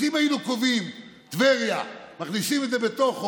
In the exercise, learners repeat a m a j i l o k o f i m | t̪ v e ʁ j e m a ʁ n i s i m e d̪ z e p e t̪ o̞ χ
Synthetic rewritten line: i m a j i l u k o v i m | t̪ v e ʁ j a m a χ n i s i m e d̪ z e b e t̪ o̞ χ